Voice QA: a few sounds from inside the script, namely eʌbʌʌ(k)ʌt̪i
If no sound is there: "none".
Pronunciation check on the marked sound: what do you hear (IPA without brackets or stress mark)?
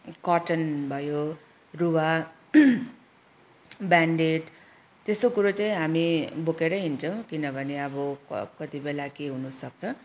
k